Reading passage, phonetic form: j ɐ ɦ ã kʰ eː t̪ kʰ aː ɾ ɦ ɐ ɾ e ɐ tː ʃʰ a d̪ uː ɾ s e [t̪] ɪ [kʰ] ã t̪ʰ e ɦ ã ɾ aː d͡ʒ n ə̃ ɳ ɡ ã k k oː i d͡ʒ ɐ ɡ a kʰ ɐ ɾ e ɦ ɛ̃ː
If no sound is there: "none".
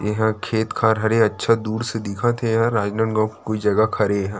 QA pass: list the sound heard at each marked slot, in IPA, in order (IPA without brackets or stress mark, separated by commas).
d̪, kʰ